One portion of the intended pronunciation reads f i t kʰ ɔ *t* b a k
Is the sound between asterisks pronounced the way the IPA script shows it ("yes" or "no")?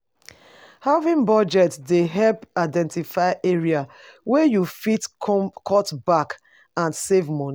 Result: yes